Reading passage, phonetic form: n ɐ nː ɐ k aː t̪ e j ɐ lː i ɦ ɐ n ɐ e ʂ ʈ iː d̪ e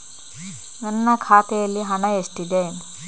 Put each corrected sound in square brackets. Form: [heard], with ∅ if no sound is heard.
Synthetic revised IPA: n ɐ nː ɐ [kʰ] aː t̪ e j ɐ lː i ɦ ɐ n ɐ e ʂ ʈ [i] d̪ e